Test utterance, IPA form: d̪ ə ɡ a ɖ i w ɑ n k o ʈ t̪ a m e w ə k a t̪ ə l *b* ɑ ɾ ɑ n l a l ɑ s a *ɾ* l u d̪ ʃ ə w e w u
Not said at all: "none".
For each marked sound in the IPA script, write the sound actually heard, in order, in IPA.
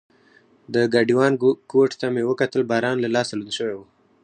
b, none

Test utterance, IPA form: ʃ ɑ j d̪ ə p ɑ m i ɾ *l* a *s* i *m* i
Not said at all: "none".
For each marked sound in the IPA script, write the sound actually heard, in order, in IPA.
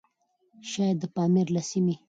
l, s, m

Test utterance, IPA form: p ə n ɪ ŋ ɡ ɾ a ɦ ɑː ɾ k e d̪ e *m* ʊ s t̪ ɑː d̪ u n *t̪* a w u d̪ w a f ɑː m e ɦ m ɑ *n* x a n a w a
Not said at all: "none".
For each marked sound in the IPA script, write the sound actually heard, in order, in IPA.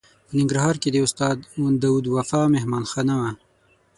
none, d̪, n

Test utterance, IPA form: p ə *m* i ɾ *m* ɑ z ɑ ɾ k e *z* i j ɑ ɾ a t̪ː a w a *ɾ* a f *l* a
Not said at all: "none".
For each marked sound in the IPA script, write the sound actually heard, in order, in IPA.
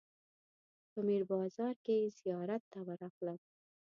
m, b, z, ɾ, l

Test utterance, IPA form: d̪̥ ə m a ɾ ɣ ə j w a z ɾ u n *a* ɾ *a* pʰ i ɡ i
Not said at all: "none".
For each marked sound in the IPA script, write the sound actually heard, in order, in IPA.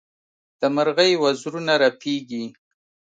a, a

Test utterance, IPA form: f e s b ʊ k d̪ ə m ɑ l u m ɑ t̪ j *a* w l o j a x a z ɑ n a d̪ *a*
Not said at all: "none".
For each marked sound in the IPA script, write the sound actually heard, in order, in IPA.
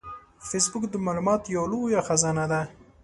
a, a

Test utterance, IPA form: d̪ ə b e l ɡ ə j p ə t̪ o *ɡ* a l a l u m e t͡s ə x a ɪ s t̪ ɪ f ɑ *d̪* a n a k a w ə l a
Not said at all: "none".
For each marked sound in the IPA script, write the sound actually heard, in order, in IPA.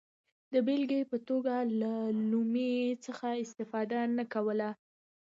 ɡ, d̪

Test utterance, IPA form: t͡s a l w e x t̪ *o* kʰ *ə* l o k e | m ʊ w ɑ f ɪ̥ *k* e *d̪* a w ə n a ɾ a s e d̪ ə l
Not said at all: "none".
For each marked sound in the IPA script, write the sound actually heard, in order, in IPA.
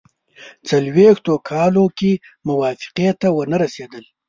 o, ɑ, q, t̪

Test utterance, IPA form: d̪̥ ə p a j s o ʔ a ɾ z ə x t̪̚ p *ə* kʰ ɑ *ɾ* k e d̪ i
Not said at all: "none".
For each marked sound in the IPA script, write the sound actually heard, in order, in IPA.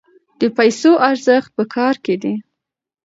ə, ɾ

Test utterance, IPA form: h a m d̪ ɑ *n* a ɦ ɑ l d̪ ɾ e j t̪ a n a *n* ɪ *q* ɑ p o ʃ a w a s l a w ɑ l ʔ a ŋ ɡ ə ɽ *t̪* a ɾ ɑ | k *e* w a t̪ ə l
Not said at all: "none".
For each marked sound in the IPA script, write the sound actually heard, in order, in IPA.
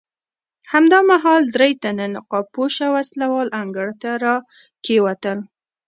m, n, q, t̪, e

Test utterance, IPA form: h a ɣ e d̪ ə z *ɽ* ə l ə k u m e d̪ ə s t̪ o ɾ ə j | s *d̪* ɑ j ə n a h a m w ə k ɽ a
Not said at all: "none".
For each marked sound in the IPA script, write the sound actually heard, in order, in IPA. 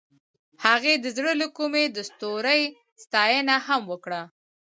ɽ, t̪

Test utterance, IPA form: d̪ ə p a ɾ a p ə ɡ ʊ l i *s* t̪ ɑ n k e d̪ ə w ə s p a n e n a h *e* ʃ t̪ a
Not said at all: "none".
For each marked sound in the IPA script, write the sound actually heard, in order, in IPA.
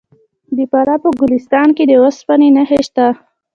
s, e

